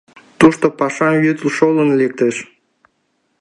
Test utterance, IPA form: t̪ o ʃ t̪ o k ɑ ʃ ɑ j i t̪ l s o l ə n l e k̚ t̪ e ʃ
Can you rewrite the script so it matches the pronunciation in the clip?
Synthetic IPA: t̪ u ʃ t̪ o p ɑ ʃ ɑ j y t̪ l ʃ o l ə n l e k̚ t̪ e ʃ